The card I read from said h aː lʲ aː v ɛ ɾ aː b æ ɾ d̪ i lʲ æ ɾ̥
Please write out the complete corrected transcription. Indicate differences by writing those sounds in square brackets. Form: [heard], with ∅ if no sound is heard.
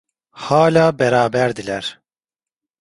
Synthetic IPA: h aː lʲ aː [b] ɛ ɾ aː b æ ɾ d̪ i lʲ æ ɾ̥

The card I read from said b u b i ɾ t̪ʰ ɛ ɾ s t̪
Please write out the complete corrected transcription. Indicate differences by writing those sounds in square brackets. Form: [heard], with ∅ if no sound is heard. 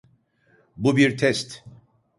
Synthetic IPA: b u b i ɾ t̪ʰ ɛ [∅] s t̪

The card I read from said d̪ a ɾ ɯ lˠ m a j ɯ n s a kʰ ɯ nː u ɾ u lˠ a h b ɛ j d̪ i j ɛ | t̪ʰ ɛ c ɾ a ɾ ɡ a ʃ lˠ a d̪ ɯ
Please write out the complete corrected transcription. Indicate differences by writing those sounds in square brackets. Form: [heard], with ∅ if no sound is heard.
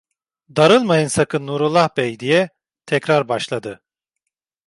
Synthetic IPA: d̪ a ɾ ɯ lˠ m a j ɯ n s a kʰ ɯ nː u ɾ u lˠ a h b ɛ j d̪ i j ɛ | t̪ʰ ɛ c ɾ a ɾ [b] a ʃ lˠ a d̪ ɯ

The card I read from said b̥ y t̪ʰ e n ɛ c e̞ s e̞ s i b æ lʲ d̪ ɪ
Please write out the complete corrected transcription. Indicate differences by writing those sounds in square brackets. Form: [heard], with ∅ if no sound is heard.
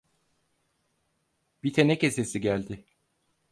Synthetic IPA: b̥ [i] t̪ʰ e n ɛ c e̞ s e̞ s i [ɟ] æ lʲ d̪ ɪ

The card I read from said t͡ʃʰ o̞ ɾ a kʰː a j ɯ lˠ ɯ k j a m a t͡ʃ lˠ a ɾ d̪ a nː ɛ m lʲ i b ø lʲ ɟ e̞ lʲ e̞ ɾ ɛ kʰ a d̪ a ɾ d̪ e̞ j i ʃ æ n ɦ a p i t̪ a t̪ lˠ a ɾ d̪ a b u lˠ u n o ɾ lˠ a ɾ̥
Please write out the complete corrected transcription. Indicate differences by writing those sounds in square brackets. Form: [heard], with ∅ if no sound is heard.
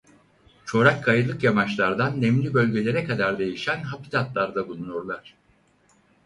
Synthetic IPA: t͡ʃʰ o̞ ɾ a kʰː a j ɯ lˠ ɯ k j a m a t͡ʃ lˠ a ɾ d̪ a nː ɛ m lʲ i b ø lʲ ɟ e̞ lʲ e̞ ɾ ɛ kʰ a d̪ a ɾ d̪ e̞ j i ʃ æ n ɦ a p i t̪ a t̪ lˠ a ɾ d̪ a b u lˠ u n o ɾ lˠ a ɾ̥

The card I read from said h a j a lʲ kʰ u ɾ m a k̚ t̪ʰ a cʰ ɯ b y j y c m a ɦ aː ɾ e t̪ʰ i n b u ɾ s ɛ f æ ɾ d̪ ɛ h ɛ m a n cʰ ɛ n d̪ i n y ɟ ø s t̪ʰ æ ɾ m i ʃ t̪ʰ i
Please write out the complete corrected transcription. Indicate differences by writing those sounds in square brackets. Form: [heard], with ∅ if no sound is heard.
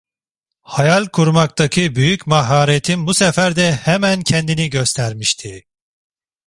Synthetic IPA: h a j a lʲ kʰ u ɾ m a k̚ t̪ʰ a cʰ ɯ b y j y c m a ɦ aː ɾ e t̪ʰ i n b u [∅] s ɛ f æ ɾ d̪ ɛ h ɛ m [æ] n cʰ ɛ n d̪ i n [i] ɟ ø s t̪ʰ æ ɾ m i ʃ t̪ʰ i

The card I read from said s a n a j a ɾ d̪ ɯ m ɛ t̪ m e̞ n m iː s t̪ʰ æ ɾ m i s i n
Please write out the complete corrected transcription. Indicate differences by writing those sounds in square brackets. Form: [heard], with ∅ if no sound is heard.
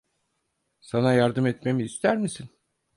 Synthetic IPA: s a n a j a ɾ d̪ ɯ m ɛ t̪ m e̞ [∅] m iː s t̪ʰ æ ɾ m i s i n

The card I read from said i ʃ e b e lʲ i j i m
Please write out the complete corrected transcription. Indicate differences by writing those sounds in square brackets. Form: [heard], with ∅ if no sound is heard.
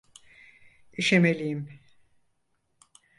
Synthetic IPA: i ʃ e [m] e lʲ i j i m

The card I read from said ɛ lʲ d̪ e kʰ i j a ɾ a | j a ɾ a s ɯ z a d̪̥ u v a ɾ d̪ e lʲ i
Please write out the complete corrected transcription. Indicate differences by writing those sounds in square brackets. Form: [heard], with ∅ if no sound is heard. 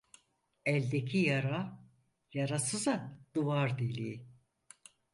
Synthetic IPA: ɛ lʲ d̪ e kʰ i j a ɾ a | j a ɾ a s ɯ z a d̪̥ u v a ɾ d̪ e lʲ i

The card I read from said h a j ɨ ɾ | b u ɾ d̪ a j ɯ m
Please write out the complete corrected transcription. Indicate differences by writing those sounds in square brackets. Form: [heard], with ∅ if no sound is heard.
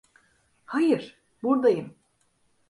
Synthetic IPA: h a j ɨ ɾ | b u ɾ d̪ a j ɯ m

